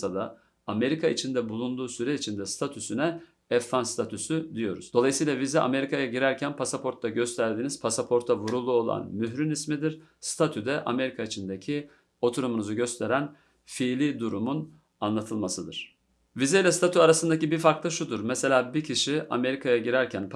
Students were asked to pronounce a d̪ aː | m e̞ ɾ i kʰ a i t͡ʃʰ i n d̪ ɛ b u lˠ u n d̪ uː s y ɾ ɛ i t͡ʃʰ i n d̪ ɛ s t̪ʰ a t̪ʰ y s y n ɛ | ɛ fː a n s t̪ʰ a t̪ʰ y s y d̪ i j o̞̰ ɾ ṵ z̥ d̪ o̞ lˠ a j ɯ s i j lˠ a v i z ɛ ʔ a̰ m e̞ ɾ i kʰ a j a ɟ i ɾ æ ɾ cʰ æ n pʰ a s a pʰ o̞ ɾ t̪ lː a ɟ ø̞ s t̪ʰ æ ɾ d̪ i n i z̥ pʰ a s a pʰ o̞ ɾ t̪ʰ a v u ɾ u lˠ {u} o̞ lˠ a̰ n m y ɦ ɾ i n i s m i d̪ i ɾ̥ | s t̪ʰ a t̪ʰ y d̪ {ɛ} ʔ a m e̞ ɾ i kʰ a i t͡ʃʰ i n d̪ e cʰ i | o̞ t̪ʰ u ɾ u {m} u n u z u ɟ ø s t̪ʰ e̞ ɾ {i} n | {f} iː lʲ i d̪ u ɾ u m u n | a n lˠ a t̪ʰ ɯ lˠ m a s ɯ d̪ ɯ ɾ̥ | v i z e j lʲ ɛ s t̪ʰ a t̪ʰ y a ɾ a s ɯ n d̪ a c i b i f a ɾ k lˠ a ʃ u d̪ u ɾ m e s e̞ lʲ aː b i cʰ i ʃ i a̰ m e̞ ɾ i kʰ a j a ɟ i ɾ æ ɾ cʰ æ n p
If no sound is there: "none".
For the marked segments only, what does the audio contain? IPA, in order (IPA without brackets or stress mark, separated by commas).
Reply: u, ɛ, m, æ, f